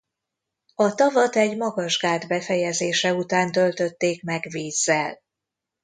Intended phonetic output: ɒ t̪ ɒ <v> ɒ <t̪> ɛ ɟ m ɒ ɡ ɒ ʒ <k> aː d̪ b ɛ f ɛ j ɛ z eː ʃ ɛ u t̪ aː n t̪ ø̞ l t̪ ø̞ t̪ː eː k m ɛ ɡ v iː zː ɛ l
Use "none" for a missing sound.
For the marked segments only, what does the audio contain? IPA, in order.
v, t̪, ɡ

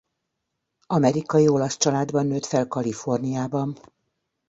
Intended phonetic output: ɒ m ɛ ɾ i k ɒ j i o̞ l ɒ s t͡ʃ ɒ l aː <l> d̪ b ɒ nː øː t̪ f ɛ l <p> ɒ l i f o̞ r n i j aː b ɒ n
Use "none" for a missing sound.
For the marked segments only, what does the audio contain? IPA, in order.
none, k

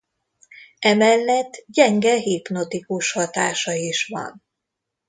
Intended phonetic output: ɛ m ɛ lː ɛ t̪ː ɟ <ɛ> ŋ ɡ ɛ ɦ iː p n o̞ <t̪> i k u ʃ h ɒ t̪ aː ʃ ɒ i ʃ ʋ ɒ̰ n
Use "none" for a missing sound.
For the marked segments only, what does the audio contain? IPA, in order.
ɛ, t̪

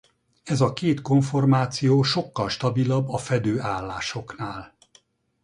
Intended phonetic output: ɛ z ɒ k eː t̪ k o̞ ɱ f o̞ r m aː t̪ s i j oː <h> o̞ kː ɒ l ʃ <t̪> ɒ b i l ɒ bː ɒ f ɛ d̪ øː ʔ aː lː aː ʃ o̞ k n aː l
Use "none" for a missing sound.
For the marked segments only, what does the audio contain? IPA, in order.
ʃ, t̪

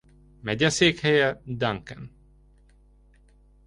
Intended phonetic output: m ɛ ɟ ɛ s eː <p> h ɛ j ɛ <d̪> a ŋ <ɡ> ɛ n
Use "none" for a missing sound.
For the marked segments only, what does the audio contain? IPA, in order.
k, d̪, k

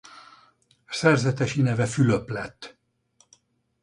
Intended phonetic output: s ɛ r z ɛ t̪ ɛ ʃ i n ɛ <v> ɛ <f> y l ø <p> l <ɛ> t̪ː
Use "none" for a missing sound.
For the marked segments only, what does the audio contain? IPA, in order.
v, f, p, ɛ

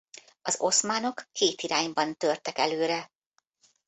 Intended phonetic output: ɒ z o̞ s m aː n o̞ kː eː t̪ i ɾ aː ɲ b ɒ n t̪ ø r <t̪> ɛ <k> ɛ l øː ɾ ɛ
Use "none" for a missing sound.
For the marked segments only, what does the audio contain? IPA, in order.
t̪, k

